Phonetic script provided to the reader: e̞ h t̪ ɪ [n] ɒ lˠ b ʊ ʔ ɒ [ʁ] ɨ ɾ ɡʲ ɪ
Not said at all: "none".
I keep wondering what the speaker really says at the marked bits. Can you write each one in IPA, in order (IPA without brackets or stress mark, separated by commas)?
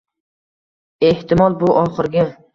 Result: m, χ